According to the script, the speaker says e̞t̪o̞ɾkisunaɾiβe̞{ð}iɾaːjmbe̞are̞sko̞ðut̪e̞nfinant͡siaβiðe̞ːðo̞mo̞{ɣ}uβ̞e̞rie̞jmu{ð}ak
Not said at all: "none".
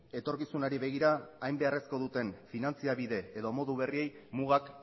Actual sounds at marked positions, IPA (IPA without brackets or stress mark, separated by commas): ɣ, ð, ɣ